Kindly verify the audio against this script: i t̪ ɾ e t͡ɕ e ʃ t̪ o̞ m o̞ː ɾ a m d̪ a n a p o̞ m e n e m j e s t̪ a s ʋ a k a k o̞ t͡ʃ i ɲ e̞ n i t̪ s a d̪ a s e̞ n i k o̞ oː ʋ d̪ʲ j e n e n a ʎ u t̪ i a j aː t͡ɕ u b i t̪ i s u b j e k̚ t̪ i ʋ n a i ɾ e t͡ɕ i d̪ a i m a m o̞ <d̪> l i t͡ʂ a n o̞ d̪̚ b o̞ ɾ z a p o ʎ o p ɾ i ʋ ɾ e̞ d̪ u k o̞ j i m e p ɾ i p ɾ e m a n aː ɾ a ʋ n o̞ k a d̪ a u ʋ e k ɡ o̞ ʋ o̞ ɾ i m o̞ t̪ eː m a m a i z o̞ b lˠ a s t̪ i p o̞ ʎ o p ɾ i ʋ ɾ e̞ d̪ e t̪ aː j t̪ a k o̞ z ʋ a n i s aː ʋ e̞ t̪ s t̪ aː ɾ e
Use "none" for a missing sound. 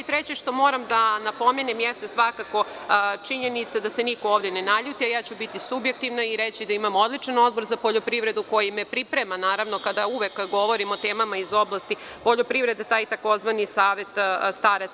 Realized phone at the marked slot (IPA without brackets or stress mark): d̪